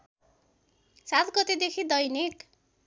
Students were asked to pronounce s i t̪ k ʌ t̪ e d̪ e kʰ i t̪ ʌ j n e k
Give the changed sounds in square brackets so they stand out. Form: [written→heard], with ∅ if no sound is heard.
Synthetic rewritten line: s [i→a] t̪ [k→ɡ] ʌ t̪ e d̪ e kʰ i [t̪→d̪] ʌ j n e k

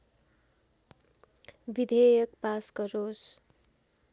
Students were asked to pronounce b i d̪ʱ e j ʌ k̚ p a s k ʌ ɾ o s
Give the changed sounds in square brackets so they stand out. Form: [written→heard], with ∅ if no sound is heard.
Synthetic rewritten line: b i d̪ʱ e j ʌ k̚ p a s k ʌ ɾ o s

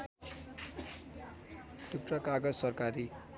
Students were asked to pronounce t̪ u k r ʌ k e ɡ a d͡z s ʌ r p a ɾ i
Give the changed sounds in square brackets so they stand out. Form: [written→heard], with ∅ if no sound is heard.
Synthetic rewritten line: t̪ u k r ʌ k [e→a] ɡ [a→ʌ] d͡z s ʌ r [p→k] a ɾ i

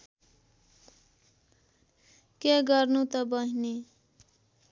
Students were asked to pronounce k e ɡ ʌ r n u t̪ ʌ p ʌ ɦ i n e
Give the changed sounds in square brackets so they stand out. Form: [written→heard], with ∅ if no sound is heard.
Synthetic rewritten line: k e ɡ ʌ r n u t̪ ʌ [p→b] ʌ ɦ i n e

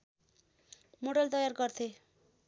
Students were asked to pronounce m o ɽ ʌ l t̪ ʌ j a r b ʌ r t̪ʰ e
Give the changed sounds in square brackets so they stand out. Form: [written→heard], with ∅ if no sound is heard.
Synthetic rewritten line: m o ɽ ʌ l t̪ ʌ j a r [b→ɡ] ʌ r t̪ʰ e

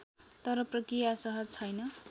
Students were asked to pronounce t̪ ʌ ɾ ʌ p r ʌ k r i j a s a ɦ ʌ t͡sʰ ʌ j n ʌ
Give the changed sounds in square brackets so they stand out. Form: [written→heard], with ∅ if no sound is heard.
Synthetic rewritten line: t̪ ʌ ɾ ʌ p r ʌ k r i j a s [a→ʌ] ɦ ʌ t͡sʰ ʌ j n ʌ

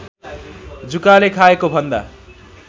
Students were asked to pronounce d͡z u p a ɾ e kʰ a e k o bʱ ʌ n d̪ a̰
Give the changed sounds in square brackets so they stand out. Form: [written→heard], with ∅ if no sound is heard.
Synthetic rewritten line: d͡z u [p→k] a [ɾ→l] e kʰ a e k o bʱ ʌ n d̪ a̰

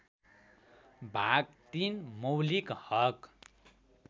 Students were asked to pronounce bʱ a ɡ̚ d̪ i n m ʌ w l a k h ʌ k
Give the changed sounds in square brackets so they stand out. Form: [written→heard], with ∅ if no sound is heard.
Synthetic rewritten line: bʱ a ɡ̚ [d̪→t̪] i n m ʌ w l [a→i] k h ʌ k

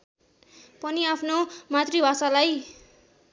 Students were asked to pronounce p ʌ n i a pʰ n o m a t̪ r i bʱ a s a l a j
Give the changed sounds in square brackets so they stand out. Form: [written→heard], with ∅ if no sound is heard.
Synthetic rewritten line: p ʌ n i a pʰ n o m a t̪ r i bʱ a s a l a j

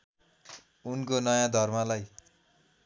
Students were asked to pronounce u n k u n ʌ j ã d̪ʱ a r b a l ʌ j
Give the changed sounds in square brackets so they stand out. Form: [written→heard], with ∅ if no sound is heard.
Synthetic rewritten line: u n k [u→o] n ʌ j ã d̪ʱ [a→ʌ] r [b→m] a l [ʌ→a] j

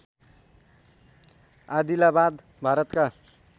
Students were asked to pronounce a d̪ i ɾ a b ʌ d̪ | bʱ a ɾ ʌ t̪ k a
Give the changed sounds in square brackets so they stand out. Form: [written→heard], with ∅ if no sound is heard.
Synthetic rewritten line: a d̪ i [ɾ→l] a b [ʌ→a] d̪ | bʱ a ɾ ʌ t̪ k a

